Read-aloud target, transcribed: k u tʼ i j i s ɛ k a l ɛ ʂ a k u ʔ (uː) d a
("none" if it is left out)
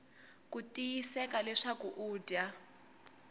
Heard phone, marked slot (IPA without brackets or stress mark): uː